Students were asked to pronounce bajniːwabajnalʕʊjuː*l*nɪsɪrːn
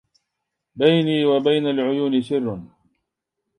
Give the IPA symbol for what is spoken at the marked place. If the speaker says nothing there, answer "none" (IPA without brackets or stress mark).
none